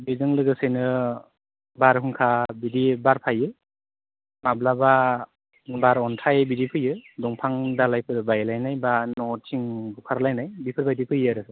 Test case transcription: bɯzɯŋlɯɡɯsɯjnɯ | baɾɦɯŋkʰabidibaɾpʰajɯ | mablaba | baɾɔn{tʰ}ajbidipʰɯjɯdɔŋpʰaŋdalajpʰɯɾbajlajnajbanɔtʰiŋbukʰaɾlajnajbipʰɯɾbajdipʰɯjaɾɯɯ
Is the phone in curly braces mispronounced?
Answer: no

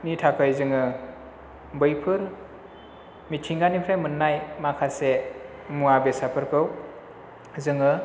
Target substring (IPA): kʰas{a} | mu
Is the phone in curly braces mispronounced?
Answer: yes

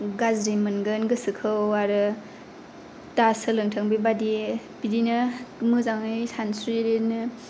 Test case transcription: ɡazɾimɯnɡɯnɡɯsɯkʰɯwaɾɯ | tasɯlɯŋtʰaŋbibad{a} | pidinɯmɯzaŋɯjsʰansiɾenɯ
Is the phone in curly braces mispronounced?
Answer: yes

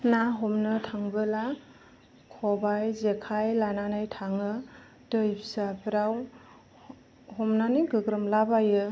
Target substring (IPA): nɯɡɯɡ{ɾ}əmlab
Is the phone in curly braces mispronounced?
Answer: no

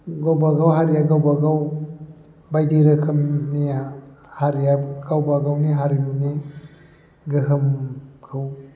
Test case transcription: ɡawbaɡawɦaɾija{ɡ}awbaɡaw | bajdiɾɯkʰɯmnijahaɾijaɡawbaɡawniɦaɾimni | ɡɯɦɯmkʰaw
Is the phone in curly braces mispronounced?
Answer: no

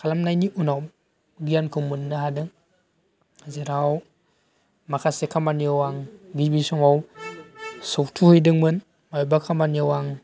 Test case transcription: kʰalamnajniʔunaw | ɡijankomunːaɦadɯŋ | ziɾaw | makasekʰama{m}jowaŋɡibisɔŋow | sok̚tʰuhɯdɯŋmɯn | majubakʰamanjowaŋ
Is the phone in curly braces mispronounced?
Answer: yes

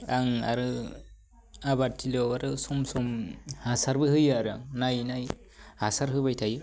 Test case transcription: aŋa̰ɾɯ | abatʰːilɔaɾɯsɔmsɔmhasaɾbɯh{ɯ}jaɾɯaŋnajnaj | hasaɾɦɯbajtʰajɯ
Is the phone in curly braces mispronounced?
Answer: no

